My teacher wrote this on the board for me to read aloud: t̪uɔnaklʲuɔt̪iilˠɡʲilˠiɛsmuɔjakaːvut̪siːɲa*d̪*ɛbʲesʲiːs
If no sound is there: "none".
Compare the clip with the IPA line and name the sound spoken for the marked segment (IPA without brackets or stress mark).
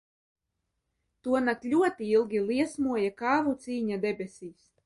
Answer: d̪